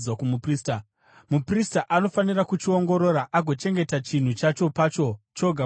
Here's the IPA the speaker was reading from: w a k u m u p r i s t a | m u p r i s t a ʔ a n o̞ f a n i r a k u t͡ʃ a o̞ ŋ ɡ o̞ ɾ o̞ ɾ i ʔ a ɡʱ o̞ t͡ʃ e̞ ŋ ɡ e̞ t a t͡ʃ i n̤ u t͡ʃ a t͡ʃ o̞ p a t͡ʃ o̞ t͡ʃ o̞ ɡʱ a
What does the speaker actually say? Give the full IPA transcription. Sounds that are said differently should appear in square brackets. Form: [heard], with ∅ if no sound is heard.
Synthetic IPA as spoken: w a k u m u p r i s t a | m u p r i s t a ʔ a n o̞ f a n i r a k u t͡ʃ [i] o̞ ŋ ɡ o̞ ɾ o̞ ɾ [a] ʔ a ɡʱ o̞ t͡ʃ e̞ ŋ ɡ e̞ t a t͡ʃ i n̤ u t͡ʃ a t͡ʃ o̞ p a t͡ʃ o̞ t͡ʃ o̞ ɡʱ a